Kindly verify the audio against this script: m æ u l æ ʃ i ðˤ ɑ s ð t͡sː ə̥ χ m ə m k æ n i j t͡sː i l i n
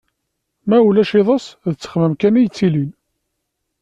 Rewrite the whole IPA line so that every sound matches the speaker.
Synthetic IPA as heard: m æ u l æ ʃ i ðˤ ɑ s ð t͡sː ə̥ χ m ə m k æ n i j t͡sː i l i n